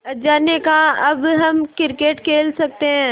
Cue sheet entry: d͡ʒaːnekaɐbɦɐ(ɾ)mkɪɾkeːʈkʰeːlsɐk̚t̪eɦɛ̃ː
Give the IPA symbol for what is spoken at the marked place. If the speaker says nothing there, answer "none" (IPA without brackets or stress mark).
none